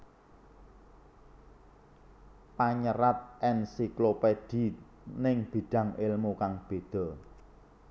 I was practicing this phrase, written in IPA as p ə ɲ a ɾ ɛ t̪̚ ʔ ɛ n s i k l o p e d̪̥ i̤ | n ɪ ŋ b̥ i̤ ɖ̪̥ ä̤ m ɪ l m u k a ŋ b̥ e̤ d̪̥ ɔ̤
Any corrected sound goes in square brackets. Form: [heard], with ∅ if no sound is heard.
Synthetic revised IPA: p [a] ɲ [ə] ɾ [a] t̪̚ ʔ ɛ n s i k l o p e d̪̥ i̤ | n ɪ ŋ b̥ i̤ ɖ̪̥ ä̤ [ŋ] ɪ l m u k a ŋ b̥ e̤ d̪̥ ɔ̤